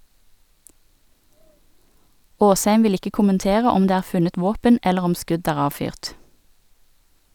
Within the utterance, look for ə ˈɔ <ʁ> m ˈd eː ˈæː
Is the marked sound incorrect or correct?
incorrect